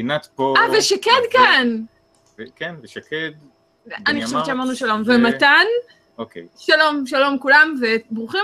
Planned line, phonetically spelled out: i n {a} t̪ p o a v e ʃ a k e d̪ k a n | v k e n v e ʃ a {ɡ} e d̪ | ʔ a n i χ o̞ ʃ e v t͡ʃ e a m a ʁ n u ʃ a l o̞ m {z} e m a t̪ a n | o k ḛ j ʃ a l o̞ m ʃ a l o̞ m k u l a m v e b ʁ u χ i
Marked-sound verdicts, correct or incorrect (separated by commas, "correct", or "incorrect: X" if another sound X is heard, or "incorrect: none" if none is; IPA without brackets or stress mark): correct, incorrect: k, incorrect: v